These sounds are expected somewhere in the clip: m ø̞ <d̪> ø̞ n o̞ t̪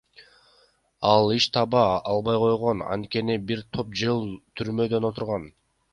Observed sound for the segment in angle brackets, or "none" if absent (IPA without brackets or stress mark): d̪